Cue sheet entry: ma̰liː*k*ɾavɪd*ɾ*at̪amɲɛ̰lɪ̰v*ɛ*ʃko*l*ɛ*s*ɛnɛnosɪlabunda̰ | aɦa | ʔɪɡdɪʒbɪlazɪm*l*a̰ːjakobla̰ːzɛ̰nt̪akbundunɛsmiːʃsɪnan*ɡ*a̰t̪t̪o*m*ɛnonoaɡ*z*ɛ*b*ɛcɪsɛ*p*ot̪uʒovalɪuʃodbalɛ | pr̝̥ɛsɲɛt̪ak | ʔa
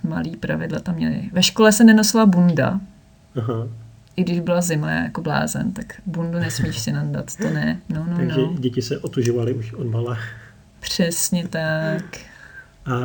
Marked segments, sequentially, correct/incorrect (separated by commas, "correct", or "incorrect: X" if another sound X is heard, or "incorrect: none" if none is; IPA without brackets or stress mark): incorrect: p, incorrect: l, correct, correct, correct, correct, incorrect: d, incorrect: n, incorrect: ʒ, incorrect: ɟ, incorrect: ʔ